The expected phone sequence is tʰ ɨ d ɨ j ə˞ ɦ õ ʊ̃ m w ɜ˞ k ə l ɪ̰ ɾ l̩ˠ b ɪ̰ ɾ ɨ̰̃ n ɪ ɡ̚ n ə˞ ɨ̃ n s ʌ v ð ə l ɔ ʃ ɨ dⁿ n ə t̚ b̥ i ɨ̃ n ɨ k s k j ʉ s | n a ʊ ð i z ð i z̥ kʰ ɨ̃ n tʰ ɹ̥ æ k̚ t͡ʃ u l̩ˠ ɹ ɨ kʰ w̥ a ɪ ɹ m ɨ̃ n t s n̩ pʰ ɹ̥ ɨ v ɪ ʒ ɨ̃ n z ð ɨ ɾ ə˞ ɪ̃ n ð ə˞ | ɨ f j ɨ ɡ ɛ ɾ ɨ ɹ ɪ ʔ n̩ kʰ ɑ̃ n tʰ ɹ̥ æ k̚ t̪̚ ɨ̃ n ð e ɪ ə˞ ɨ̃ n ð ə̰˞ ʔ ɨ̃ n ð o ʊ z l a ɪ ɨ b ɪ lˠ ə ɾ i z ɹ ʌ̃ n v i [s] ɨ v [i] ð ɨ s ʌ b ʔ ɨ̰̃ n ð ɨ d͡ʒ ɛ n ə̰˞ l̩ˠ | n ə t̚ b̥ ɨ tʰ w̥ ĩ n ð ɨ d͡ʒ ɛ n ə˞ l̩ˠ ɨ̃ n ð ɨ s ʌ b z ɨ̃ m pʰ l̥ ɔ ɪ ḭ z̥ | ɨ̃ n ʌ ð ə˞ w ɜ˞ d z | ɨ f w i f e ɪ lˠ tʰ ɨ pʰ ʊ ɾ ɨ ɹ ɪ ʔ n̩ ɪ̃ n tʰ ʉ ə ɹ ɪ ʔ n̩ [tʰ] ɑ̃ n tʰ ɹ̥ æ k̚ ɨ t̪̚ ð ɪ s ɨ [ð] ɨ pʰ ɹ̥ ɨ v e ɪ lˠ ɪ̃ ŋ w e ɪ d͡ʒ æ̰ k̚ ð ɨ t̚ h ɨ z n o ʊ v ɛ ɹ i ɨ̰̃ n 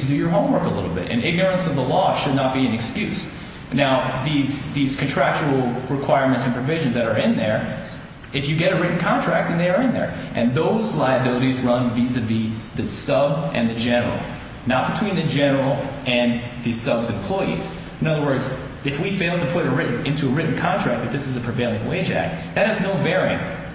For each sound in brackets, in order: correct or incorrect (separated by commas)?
incorrect, correct, incorrect, incorrect